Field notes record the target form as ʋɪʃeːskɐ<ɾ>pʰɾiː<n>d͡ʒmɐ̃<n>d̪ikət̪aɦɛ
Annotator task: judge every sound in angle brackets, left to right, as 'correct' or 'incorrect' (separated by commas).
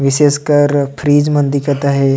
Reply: correct, incorrect, correct